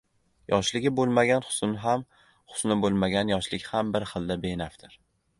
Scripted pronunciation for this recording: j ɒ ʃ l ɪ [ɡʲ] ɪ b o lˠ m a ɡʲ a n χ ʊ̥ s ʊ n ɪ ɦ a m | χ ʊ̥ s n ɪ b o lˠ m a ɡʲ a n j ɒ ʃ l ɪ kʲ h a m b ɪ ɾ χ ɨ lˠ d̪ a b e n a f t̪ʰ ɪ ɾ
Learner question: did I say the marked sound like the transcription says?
yes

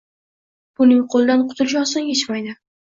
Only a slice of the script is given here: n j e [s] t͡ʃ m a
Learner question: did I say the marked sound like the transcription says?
no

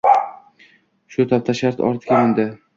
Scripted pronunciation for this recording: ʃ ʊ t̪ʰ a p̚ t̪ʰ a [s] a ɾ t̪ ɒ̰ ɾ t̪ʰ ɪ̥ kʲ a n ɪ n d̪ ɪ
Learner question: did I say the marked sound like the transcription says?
no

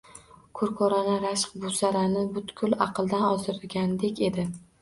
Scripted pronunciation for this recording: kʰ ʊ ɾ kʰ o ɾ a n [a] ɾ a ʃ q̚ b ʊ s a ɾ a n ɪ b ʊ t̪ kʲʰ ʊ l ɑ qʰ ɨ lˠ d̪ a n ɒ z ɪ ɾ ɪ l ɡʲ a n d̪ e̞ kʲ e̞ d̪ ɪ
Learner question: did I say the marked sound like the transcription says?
yes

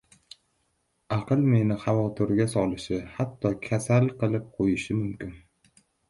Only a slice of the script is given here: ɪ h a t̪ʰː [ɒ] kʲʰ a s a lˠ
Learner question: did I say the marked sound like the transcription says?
yes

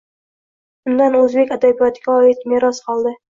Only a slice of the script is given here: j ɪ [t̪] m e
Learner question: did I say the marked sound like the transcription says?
yes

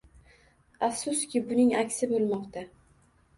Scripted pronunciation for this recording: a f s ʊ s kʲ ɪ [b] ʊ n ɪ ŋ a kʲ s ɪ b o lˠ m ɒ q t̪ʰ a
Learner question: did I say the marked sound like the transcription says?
yes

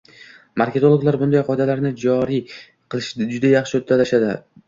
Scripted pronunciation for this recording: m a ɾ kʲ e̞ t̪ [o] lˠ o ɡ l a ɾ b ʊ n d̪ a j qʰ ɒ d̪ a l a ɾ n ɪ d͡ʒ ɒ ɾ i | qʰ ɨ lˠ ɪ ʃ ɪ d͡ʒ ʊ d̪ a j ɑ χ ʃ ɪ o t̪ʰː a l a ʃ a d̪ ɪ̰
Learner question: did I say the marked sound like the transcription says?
yes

